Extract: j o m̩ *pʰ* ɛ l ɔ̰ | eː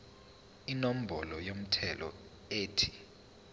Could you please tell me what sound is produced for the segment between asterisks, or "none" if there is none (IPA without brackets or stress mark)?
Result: tʰ